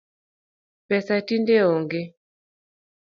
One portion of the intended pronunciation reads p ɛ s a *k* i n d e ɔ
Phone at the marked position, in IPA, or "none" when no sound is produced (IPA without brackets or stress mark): t